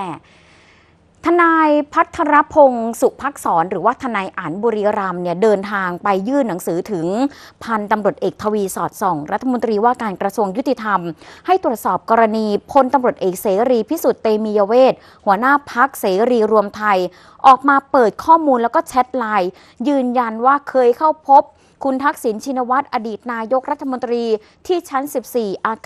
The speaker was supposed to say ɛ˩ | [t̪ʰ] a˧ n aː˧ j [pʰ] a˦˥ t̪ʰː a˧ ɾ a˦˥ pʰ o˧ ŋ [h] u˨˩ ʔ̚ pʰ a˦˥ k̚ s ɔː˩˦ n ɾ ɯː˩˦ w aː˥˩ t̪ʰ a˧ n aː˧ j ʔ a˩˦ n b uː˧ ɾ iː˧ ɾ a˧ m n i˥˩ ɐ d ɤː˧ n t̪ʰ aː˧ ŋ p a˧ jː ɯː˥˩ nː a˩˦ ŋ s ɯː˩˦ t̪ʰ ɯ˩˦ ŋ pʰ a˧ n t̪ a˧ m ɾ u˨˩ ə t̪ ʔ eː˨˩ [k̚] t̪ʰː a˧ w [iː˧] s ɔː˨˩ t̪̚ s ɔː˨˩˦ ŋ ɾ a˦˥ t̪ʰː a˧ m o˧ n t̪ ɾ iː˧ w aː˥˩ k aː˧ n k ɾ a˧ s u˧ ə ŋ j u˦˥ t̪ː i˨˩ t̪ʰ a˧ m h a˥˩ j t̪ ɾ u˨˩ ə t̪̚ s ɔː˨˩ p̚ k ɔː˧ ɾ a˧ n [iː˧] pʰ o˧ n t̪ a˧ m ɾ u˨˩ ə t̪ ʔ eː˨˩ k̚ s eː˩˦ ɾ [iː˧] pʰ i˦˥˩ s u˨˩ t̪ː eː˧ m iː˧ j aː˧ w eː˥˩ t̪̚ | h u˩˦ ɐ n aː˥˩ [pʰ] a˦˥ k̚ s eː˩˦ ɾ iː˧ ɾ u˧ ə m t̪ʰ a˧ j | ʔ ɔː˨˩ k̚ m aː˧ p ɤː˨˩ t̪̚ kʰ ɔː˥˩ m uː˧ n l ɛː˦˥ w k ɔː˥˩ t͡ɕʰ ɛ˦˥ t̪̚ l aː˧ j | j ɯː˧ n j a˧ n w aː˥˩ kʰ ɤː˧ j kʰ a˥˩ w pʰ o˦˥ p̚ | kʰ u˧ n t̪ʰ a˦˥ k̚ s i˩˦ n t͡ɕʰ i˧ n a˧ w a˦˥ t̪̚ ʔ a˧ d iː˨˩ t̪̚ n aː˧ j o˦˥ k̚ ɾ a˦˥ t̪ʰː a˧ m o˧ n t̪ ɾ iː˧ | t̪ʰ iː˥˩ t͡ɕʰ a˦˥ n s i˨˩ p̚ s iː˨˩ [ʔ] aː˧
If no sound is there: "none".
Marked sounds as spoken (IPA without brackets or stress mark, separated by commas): t̪ʰ, pʰ, s, k̚, iː˧, iː˧, iː˧, pʰ, ʔ